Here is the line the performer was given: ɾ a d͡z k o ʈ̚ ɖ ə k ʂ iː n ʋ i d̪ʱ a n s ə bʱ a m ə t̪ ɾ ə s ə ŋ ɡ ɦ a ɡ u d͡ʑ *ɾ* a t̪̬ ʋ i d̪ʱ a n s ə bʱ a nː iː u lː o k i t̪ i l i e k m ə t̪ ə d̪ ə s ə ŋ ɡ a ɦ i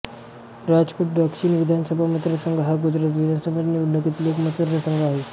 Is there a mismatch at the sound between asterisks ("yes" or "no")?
no